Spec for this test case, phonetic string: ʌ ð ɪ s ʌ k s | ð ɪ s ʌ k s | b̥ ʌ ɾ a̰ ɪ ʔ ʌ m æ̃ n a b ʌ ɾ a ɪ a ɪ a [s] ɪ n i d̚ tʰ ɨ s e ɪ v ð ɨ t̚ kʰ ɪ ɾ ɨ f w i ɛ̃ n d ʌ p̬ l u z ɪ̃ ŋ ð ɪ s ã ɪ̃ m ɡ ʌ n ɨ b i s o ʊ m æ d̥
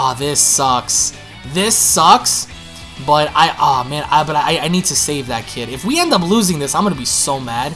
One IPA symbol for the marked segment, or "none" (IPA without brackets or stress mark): none